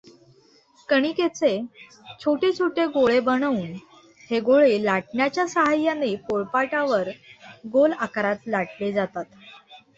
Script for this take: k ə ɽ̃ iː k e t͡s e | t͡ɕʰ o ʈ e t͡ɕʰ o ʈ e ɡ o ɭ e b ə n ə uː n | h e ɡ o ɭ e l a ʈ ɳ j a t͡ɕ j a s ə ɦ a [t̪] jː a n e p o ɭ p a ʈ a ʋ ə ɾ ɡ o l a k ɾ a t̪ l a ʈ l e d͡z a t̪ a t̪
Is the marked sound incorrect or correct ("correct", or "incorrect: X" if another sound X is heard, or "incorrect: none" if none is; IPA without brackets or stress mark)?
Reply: incorrect: none